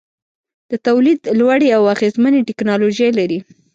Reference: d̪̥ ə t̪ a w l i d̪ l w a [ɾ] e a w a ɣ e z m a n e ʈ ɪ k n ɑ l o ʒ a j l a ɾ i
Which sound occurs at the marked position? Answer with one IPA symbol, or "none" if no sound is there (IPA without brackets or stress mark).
ɽ